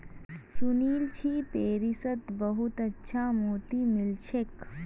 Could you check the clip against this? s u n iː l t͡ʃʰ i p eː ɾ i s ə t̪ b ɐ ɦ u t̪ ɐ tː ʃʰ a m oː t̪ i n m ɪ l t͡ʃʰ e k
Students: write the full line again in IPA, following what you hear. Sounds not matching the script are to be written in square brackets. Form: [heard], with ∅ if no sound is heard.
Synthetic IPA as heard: s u n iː l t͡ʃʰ i p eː ɾ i s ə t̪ b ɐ ɦ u t̪ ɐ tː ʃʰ a m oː t̪ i [∅] m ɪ l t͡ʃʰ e k

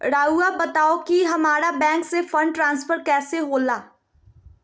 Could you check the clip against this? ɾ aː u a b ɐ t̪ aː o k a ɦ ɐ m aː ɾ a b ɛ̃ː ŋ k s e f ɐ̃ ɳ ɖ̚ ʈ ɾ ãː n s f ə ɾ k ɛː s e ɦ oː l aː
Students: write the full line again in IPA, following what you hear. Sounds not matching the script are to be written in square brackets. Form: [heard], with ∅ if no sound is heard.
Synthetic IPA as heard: ɾ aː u a b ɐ t̪ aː o k [i] ɦ ɐ m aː ɾ a b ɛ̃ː ŋ k s e f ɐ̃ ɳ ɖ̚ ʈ ɾ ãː n s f ə ɾ k ɛː s e ɦ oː l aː

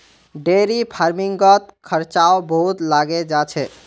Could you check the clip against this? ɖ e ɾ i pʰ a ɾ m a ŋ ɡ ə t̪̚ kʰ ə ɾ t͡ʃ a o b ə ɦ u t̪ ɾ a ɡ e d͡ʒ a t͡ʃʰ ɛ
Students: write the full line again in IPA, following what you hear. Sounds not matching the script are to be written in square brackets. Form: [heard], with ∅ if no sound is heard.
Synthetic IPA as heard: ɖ e ɾ i pʰ a ɾ m [i] ŋ ɡ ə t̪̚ kʰ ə ɾ t͡ʃ a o b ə ɦ u t̪ [l] a ɡ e d͡ʒ a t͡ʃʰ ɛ

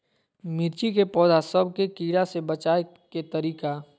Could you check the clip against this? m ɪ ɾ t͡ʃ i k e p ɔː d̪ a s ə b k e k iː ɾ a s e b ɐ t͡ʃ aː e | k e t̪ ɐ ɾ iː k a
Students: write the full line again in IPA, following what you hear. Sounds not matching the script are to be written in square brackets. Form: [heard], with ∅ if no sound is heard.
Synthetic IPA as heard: m ɪ ɾ t͡ʃ i k e p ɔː d̪ a s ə b k e k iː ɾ a s e b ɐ t͡ʃ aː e | k e t̪ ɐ ɾ iː k a

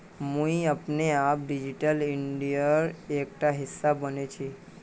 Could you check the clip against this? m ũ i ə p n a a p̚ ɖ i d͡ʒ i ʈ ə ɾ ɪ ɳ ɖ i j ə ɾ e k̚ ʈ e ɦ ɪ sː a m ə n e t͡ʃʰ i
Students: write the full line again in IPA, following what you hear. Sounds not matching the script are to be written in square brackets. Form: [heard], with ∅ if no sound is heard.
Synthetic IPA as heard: m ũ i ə p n [e] a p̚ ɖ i d͡ʒ i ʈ ə [l] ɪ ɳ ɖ i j ə ɾ e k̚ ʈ [a] ɦ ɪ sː a [b] ə n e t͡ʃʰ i

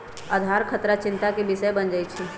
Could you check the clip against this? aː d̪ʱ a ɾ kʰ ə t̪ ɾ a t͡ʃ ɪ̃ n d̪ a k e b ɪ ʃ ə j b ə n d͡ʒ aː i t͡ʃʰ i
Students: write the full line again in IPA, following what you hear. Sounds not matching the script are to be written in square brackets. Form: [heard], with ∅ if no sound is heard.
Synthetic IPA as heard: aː d̪ʱ a ɾ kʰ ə t̪ ɾ a t͡ʃ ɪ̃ n [t̪] a k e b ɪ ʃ ə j b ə n d͡ʒ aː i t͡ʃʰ i

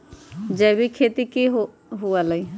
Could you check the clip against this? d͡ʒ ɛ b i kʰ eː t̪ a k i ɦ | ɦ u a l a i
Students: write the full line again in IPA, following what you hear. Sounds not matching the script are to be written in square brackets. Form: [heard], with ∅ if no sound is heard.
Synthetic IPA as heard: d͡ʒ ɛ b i kʰ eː t̪ [i] k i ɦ | ɦ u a l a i

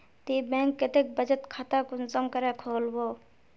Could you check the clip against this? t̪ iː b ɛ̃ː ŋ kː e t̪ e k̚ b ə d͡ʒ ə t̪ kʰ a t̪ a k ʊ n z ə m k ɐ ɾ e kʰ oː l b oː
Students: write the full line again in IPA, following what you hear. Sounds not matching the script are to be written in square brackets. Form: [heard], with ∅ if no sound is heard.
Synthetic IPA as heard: t̪ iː b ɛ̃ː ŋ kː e t̪ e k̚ b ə d͡ʒ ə t̪ kʰ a t̪ a k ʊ n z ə m k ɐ ɾ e kʰ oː l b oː

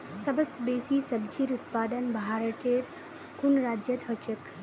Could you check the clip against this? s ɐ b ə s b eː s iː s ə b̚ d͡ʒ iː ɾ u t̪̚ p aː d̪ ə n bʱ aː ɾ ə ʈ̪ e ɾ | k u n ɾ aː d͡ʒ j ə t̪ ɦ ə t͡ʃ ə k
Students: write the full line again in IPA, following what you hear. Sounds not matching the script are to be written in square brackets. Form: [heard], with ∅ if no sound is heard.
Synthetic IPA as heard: s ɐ b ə s b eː s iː s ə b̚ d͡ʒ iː ɾ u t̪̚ p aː d̪ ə n bʱ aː ɾ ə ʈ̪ e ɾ | k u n ɾ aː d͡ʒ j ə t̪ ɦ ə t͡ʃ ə k

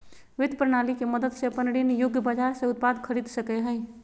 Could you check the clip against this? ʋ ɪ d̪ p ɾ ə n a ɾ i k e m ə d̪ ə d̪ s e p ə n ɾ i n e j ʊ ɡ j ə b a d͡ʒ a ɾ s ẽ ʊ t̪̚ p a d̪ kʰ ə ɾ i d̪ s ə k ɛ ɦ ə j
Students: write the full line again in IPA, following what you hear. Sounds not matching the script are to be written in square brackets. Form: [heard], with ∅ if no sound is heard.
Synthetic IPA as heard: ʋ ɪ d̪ p ɾ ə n a [l] i k e m ə d̪ ə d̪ s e p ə n [ɽ] i n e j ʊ ɡ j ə b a d͡ʒ a ɾ s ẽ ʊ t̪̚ p a d̪ kʰ ə ɾ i d̪ s ə k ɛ ɦ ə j

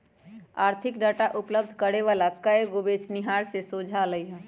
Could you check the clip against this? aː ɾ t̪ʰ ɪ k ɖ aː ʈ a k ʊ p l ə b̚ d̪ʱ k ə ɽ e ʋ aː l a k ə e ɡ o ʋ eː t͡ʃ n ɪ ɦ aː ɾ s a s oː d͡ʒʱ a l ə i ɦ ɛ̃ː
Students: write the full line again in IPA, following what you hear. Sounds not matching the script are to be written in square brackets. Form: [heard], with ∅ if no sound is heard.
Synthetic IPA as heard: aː ɾ t̪ʰ ɪ k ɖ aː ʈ a [ʔ] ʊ p l ə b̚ d̪ʱ k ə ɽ e ʋ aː l a k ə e ɡ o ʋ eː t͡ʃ n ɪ ɦ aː ɾ s [e] s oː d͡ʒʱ a l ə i ɦ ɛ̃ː

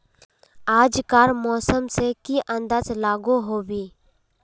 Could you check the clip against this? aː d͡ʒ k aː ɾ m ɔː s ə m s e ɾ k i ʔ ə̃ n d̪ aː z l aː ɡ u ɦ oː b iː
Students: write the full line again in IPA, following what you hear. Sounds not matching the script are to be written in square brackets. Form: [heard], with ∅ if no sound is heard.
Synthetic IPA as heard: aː d͡ʒ k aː ɾ m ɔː s ə m s e [∅] k i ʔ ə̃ n d̪ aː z l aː ɡ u ɦ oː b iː

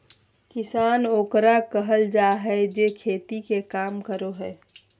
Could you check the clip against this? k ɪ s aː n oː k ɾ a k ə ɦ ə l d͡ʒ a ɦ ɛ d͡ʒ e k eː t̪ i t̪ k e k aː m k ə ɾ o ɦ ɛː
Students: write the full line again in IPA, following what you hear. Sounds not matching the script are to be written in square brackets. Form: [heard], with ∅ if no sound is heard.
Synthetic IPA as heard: k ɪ s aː n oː k ɾ a k ə ɦ ə l d͡ʒ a ɦ ɛ d͡ʒ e [kʰ] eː t̪ i [∅] k e k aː m k ə ɾ o ɦ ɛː

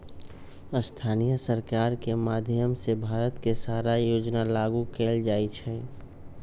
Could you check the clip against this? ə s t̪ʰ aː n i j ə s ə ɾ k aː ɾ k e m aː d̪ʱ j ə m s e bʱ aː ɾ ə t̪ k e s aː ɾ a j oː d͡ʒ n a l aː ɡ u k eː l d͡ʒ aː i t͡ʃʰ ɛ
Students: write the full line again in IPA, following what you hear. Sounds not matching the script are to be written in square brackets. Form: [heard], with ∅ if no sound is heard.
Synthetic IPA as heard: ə s t̪ʰ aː n i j ə s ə ɾ k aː ɾ k e m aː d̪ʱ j ə m s e bʱ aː ɾ ə t̪ k e s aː ɾ a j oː d͡ʒ n a l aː ɡ u k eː l d͡ʒ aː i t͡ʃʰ ɛ

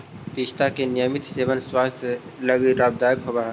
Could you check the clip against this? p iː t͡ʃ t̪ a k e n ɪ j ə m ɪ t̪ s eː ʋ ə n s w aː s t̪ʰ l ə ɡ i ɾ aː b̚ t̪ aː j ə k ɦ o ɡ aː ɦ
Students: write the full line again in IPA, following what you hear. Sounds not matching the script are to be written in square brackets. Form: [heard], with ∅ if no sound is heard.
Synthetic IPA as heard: p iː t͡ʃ t̪ a k e n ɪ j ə m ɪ t̪ s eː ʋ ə n s w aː s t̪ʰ l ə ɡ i ɾ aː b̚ [d̪] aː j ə k ɦ o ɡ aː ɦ

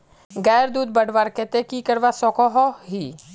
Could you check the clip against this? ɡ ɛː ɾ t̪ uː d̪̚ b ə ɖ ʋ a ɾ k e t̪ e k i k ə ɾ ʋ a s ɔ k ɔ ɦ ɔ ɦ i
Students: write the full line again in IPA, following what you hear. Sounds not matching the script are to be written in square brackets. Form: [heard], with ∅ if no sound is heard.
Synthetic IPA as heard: ɡ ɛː ɾ [d̪] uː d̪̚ b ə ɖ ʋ a ɾ k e t̪ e k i k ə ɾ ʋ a s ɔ k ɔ ɦ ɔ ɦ i

